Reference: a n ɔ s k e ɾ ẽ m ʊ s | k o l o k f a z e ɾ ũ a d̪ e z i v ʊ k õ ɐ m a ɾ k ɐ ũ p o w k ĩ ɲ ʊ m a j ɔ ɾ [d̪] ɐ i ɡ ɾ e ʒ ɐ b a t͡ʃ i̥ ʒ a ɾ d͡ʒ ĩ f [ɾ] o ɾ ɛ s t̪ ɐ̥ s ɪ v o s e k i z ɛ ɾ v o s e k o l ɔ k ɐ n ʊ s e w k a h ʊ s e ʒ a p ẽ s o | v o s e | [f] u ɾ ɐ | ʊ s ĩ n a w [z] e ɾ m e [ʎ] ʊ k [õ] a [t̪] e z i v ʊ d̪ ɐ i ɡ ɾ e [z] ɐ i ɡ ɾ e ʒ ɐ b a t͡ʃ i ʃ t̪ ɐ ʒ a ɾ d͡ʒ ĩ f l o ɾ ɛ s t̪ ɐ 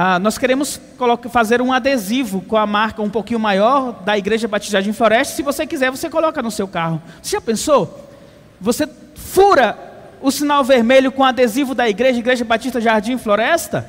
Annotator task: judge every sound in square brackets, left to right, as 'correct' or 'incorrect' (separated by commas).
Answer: correct, incorrect, correct, incorrect, correct, correct, incorrect, incorrect